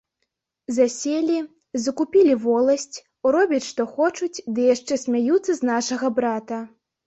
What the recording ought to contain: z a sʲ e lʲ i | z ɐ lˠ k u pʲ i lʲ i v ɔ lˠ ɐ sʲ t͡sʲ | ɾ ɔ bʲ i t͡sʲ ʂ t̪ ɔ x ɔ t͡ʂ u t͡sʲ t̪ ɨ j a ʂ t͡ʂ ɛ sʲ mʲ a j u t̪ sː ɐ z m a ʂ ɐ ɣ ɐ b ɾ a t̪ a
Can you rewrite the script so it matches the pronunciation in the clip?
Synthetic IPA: z a sʲ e lʲ i | z ɐ k u pʲ i lʲ i v ɔ lˠ ɐ sʲ t͡sʲ | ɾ ɔ bʲ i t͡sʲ ʂ t̪ ɔ x ɔ t͡ʂ u t͡sʲ d̪ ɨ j a ʂ t͡ʂ ɛ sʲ mʲ a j u t̪ sː ɐ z n a ʂ ɐ ɣ ɐ b ɾ a t̪ ɐ